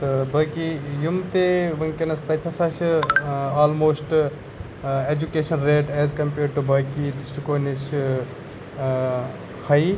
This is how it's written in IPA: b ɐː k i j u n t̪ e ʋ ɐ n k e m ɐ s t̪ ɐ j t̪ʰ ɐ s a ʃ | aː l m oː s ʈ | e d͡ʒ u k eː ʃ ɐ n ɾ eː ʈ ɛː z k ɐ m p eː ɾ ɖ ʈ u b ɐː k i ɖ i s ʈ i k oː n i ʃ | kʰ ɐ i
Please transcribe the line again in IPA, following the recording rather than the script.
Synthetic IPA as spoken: b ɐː k i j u m t̪ e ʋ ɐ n k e n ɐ s t̪ ɐ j t̪ʰ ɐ s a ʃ | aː l m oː s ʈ | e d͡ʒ u k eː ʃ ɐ n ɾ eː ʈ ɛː z k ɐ m p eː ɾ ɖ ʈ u b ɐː k i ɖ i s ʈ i k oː n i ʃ | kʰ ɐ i